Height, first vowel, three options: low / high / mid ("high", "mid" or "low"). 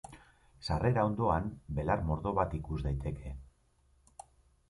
low